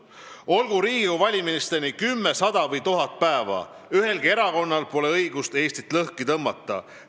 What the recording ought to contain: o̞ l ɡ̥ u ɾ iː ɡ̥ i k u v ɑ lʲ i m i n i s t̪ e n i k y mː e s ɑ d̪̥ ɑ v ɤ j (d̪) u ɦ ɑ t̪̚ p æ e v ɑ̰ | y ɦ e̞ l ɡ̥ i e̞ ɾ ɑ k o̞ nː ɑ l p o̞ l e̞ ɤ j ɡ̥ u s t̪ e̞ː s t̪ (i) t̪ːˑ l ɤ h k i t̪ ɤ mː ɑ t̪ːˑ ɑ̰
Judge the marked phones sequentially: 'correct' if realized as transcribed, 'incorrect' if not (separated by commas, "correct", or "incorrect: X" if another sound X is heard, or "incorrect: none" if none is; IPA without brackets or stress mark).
incorrect: t̪, correct